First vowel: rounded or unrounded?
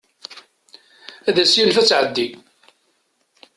unrounded